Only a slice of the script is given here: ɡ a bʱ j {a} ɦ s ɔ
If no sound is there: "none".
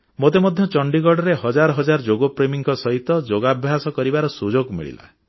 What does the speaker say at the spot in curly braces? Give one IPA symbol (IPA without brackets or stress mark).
a